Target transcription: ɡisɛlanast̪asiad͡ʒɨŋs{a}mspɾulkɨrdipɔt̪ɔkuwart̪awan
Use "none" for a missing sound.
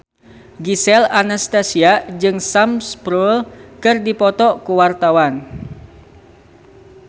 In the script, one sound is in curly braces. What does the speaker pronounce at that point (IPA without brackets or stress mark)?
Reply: a